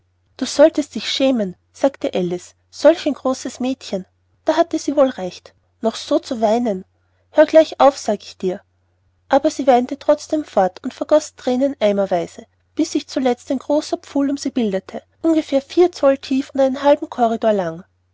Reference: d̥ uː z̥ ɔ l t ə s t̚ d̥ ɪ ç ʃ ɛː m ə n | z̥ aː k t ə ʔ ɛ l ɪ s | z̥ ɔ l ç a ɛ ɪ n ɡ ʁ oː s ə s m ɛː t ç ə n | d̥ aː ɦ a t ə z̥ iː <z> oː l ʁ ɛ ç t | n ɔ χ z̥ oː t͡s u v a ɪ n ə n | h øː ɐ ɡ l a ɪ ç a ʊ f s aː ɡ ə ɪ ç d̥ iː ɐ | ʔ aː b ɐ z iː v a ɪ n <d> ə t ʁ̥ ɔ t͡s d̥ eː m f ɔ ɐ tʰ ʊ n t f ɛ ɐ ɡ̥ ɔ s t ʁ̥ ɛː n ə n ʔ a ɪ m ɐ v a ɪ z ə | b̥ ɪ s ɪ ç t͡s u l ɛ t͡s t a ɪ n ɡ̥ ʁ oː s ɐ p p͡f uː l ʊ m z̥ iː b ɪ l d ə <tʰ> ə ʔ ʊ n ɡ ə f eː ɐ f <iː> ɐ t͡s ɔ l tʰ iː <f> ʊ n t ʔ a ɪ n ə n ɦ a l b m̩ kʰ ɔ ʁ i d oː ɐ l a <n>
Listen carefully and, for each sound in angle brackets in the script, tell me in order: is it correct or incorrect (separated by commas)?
incorrect, incorrect, correct, correct, correct, incorrect